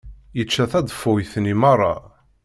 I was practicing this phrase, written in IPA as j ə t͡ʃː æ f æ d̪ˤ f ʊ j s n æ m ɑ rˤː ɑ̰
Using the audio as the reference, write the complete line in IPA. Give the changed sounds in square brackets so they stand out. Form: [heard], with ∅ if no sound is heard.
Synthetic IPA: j ə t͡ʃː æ [θ] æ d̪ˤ f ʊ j [θ] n [i] m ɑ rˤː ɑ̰